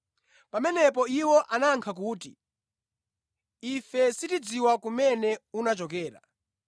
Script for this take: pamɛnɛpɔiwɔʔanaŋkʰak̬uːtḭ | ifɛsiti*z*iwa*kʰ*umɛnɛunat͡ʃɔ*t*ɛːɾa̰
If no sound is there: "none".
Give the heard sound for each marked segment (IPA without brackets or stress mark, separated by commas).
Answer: d͡z, k, k